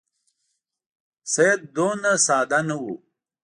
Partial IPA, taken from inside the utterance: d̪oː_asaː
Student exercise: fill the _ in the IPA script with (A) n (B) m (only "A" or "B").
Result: A